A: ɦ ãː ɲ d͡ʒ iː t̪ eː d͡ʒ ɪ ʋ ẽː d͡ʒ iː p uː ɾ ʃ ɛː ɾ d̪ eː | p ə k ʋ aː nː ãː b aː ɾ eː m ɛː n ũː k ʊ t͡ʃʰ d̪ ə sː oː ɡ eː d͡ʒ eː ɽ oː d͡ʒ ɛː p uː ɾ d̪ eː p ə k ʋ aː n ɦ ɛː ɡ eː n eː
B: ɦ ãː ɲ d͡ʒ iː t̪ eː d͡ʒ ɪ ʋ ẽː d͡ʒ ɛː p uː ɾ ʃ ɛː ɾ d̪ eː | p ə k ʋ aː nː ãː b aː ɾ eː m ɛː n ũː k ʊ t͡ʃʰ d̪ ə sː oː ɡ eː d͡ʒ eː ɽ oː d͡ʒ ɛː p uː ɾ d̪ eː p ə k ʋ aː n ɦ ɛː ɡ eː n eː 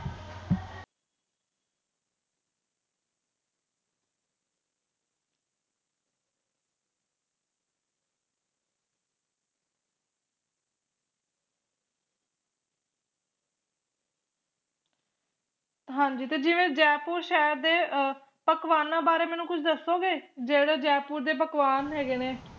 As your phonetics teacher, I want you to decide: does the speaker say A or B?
B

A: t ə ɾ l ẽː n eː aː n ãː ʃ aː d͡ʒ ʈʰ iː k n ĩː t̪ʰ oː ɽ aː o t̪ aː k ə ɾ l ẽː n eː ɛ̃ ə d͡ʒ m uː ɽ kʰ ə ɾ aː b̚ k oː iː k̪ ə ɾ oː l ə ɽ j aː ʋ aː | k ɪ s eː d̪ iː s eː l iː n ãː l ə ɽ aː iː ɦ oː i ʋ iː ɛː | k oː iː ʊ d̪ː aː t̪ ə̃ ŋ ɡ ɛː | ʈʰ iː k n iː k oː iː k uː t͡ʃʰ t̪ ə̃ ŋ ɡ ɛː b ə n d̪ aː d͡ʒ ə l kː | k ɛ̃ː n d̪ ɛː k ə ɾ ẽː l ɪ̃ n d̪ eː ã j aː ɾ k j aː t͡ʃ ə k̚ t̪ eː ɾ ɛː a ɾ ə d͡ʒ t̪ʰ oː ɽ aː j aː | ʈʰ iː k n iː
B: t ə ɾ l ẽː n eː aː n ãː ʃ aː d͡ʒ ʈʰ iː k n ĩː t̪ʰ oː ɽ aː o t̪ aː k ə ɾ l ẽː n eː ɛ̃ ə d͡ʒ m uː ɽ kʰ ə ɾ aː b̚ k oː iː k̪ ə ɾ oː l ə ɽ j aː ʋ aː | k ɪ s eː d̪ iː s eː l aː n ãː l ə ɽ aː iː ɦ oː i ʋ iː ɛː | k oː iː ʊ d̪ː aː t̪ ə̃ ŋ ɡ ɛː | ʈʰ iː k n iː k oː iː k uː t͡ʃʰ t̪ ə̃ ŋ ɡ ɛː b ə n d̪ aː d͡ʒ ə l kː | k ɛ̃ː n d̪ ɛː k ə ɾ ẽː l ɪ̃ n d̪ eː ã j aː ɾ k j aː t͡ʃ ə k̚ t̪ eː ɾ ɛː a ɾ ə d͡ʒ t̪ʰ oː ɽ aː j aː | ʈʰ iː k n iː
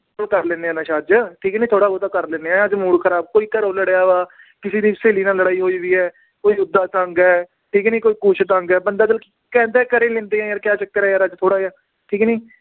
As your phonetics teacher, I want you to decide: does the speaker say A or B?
A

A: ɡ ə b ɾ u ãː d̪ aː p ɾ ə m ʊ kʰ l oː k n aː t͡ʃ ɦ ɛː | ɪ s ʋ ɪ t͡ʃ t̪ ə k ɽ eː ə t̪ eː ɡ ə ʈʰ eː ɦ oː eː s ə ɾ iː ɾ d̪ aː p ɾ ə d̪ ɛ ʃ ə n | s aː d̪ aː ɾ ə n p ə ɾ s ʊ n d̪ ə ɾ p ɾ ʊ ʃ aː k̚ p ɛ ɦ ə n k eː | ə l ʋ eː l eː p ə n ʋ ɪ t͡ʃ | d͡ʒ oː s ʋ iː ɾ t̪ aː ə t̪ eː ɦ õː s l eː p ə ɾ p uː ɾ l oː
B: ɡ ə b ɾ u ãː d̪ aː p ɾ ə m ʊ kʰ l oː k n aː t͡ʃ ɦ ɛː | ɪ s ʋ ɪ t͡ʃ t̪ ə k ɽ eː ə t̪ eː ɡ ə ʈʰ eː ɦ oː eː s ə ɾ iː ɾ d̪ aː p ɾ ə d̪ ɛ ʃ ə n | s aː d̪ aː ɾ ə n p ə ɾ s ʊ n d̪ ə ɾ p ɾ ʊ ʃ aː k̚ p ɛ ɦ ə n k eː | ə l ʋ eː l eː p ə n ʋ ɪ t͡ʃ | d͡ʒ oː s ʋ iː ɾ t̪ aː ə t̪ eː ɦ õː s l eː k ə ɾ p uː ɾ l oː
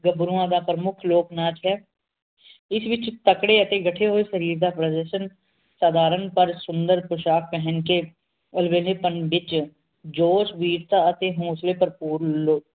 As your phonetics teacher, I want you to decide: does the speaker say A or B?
A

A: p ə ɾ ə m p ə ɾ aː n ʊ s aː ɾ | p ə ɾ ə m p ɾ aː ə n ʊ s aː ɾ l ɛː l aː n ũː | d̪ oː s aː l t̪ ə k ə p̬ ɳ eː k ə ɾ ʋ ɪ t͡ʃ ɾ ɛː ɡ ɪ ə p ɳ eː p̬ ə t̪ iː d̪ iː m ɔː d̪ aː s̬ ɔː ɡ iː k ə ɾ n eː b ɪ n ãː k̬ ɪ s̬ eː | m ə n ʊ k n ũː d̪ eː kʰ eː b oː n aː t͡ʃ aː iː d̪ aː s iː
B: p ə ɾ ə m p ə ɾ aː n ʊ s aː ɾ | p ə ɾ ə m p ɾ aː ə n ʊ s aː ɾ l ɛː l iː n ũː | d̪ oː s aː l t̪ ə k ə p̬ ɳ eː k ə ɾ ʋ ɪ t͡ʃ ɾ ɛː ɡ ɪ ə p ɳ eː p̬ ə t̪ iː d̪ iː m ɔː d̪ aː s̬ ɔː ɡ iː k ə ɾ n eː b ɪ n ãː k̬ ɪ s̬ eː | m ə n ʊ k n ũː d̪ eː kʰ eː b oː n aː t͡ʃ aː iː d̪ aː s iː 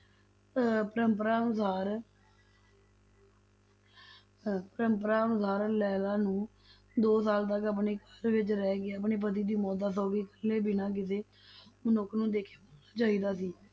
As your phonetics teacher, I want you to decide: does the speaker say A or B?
A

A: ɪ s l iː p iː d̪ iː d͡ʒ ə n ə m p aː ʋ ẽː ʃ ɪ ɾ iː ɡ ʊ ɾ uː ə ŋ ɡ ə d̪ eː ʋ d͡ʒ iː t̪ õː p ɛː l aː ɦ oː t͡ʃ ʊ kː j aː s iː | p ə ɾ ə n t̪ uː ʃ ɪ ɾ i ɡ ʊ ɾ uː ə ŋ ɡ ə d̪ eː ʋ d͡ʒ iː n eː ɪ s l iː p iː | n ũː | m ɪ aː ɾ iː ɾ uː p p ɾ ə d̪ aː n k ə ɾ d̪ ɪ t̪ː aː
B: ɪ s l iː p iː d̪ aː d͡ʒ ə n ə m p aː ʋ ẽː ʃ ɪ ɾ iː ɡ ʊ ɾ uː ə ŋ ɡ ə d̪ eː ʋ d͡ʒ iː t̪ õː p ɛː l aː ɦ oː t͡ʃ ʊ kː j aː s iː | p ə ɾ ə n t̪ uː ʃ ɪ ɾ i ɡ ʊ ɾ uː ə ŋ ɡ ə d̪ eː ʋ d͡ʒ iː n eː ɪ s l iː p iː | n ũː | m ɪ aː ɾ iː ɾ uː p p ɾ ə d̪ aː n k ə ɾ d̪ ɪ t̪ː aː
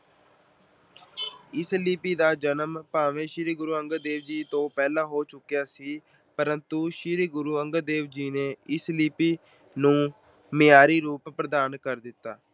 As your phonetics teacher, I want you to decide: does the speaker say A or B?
B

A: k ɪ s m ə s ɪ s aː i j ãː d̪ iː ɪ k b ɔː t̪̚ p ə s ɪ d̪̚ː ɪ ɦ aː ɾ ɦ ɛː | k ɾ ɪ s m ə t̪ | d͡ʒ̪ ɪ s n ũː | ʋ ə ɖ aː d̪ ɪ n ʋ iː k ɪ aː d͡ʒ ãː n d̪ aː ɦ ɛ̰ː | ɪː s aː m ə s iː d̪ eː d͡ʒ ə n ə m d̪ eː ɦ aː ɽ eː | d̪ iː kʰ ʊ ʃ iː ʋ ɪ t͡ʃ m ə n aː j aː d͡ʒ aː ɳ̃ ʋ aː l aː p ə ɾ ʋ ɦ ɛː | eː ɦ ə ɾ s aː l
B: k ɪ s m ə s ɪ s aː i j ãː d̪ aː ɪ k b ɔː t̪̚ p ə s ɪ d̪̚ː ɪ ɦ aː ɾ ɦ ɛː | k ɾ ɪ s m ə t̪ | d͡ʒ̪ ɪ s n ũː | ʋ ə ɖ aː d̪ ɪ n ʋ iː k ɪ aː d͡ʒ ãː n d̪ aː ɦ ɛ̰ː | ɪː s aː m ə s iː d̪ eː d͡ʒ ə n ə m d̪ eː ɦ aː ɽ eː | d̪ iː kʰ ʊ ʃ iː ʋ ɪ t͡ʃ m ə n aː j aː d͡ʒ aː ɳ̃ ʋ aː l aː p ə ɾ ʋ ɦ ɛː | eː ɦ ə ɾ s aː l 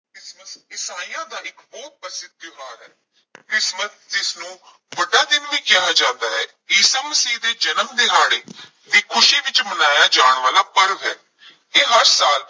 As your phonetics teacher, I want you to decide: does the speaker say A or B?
B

